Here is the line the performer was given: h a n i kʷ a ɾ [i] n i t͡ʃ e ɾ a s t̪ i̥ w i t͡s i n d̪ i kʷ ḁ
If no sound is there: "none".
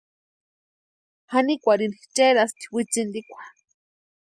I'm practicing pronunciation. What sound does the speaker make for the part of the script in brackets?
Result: i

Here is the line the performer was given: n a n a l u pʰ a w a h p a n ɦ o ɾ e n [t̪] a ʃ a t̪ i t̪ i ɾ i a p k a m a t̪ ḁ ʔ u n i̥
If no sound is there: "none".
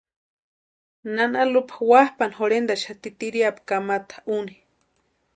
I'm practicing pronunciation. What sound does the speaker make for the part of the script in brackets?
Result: d̪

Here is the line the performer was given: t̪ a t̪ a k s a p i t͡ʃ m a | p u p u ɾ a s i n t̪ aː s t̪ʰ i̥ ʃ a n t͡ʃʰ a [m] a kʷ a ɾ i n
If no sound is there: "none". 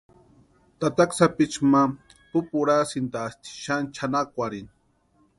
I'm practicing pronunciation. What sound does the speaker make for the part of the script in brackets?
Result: n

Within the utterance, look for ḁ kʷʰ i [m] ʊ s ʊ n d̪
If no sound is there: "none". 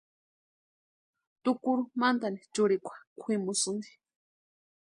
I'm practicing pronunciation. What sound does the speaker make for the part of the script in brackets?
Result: m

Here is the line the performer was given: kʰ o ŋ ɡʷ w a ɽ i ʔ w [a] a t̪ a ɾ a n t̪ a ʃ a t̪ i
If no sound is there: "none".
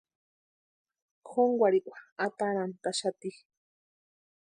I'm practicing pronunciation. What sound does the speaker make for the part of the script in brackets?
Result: a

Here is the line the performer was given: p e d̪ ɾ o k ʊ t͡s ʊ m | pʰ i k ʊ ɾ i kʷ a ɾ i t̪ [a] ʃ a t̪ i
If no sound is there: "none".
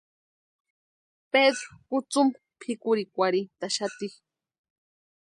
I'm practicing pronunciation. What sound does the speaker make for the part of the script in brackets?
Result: a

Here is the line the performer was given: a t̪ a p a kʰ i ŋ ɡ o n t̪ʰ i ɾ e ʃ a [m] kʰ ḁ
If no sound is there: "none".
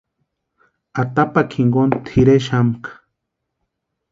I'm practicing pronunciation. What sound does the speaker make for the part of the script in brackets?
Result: m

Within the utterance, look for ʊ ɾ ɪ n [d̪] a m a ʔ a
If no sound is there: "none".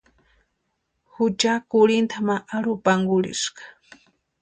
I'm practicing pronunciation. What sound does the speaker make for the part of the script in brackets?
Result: t̪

